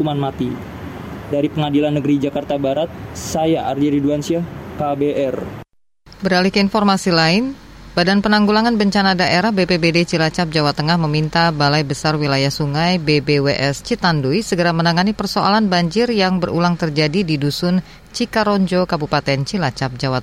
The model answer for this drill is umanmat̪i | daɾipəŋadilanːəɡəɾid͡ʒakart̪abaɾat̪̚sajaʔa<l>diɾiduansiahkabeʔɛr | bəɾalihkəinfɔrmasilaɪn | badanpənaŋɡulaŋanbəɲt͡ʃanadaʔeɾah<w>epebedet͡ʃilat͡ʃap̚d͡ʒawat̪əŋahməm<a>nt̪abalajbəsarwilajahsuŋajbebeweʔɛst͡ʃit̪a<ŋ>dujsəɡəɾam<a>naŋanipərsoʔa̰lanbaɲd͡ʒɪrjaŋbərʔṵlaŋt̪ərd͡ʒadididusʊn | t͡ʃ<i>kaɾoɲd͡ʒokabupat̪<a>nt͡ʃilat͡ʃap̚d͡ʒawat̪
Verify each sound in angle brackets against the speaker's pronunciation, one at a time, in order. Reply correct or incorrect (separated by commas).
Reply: incorrect, incorrect, incorrect, incorrect, incorrect, correct, incorrect